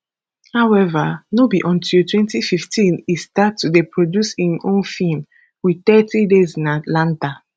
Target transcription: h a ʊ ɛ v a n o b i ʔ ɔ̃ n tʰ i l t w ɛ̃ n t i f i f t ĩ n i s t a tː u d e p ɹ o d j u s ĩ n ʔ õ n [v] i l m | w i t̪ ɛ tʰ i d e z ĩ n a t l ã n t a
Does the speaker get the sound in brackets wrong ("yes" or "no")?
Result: yes